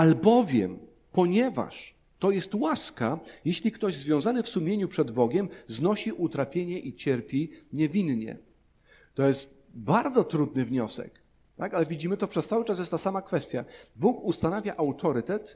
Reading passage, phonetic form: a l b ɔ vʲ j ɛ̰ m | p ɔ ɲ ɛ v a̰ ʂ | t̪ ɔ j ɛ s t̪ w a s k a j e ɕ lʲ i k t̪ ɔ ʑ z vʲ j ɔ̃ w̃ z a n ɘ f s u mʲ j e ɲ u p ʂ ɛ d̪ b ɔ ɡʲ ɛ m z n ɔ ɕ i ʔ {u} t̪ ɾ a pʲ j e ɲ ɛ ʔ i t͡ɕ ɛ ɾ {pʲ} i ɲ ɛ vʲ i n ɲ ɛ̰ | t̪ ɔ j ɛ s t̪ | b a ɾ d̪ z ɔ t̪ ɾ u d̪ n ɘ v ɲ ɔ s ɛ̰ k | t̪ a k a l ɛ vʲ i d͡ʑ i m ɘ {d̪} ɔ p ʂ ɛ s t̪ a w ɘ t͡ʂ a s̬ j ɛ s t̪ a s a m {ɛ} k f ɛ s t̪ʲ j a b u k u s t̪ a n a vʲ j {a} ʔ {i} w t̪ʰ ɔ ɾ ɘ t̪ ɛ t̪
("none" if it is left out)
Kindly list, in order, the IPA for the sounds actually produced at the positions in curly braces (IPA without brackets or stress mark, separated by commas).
u, pʲ, t̪, a, a, a